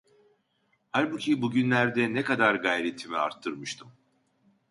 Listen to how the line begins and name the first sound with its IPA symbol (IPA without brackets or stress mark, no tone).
h